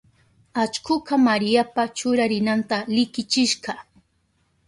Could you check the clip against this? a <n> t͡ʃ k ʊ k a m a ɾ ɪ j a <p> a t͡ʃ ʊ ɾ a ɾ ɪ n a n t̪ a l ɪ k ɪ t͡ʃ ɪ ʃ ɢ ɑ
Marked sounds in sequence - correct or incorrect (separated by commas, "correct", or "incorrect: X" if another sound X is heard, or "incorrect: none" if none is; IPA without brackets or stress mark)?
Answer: incorrect: none, correct